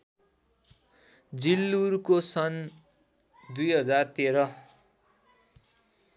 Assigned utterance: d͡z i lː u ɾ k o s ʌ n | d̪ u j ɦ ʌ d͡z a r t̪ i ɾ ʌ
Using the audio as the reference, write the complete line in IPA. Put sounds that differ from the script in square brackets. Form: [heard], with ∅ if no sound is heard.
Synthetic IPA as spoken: d͡z i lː u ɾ k o s ʌ n | d̪ u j ɦ ʌ d͡z a r t̪ [e] ɾ ʌ